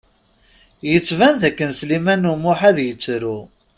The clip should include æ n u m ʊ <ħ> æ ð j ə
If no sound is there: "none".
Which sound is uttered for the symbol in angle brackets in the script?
ħ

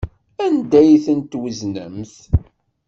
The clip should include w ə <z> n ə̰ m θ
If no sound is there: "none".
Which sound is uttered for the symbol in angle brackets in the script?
z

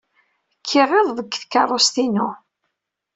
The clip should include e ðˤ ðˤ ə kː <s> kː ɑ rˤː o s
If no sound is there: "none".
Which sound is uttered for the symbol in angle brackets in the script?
θ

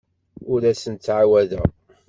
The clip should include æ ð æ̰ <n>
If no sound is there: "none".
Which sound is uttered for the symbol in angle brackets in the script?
none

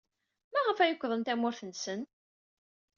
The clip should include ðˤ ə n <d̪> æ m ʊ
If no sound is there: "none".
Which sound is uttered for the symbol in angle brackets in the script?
t̪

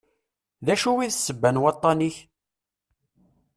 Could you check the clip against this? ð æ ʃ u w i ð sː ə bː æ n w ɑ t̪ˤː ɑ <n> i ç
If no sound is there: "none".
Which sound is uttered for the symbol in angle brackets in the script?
n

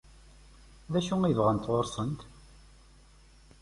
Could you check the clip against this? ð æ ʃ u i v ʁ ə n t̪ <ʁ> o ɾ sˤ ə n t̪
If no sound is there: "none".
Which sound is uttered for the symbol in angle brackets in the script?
ʁ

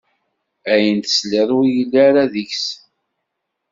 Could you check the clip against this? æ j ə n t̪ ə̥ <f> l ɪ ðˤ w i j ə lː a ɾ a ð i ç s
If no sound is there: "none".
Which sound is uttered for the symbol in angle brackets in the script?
s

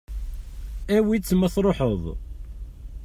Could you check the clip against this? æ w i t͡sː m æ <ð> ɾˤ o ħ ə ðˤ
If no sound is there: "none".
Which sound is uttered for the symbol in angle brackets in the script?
θ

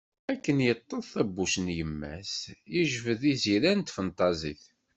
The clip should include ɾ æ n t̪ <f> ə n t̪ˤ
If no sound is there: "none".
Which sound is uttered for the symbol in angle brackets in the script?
f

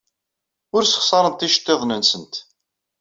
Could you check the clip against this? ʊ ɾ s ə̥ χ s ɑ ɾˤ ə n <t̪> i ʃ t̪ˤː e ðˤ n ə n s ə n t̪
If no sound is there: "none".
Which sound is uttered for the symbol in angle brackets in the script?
t̪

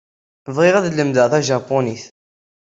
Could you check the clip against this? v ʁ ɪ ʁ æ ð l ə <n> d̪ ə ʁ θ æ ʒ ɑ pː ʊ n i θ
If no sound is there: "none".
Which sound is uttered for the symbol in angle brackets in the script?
m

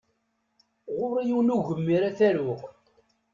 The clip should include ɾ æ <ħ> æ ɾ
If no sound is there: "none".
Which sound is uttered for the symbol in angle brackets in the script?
θ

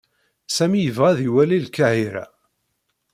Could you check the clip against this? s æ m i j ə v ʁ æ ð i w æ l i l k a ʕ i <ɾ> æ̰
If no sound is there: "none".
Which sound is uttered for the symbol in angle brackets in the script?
ɾ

